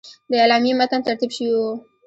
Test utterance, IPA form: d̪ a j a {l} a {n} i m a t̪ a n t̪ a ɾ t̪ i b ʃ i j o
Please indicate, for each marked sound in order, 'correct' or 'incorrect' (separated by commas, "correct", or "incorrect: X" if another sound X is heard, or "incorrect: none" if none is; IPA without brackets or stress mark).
correct, incorrect: m